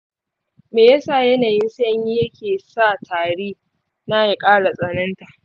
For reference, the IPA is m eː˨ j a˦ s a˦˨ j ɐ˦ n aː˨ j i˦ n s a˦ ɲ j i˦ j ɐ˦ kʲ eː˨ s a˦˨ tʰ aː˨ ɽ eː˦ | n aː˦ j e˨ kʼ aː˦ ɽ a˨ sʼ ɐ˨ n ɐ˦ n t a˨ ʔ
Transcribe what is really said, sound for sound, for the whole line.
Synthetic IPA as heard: m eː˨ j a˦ s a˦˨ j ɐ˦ n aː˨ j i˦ n s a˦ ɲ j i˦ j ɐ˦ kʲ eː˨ s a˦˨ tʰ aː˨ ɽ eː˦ | n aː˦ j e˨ kʼ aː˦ ɽ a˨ sʼ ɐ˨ n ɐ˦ n t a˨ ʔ